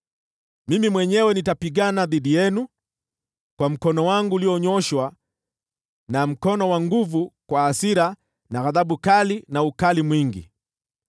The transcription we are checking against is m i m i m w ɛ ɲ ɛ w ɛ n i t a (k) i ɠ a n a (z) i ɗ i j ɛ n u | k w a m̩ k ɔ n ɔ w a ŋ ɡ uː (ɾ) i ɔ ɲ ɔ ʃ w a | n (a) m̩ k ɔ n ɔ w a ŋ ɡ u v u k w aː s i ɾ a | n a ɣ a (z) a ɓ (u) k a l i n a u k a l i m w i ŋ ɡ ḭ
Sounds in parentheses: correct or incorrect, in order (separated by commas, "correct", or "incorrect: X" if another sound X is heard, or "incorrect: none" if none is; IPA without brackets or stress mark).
incorrect: p, incorrect: ð, incorrect: l, correct, incorrect: ð, correct